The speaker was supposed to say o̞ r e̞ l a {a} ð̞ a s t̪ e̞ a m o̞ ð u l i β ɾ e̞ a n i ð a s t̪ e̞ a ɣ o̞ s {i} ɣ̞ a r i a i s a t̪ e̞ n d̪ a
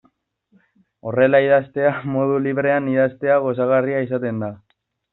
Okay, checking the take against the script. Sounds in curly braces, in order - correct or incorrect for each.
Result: incorrect: i, incorrect: a

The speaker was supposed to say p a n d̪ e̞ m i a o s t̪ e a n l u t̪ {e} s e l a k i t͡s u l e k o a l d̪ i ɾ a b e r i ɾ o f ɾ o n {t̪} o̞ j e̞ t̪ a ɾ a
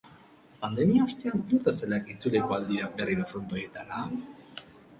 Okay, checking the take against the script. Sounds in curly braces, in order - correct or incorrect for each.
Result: incorrect: a, correct

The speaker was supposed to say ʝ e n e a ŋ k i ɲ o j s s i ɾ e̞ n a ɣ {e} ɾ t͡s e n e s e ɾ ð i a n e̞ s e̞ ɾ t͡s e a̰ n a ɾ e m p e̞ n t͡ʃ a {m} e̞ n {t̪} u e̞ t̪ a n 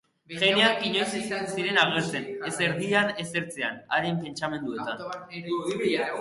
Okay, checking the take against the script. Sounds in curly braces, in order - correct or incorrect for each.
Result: correct, correct, incorrect: d̪

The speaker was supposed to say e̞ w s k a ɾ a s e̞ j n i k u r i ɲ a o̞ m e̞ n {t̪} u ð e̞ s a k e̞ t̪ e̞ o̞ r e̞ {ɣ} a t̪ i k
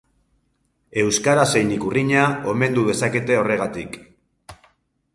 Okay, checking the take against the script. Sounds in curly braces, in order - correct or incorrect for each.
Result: incorrect: d̪, correct

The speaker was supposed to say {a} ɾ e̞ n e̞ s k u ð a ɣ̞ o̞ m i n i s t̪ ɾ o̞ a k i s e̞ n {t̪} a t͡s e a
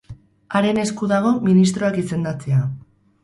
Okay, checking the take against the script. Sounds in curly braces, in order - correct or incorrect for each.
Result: correct, incorrect: d̪

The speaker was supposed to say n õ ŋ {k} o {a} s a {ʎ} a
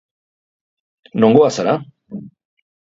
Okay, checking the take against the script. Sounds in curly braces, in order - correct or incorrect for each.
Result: incorrect: ɡ, correct, incorrect: ɾ

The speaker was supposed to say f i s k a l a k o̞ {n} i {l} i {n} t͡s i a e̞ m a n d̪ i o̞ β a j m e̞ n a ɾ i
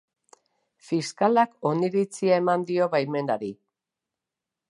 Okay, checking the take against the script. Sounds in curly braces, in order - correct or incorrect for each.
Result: correct, incorrect: ɾ, incorrect: none

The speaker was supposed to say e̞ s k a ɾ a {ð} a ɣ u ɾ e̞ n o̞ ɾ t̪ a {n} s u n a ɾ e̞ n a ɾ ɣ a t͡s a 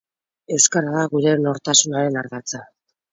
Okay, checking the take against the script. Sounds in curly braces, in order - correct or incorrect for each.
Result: correct, incorrect: none

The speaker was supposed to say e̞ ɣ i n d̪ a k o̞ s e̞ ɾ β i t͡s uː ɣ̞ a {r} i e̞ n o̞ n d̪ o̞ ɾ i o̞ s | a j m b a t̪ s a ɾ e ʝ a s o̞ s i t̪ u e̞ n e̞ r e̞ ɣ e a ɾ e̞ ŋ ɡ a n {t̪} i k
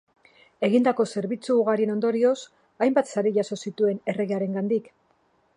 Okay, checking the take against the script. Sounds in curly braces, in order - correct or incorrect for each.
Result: incorrect: ɾ, incorrect: d̪

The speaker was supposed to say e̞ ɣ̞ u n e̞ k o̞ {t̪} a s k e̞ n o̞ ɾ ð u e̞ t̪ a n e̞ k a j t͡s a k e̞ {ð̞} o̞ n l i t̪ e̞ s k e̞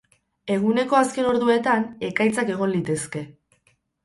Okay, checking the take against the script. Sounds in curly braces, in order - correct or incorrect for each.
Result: incorrect: none, incorrect: ɣ̞

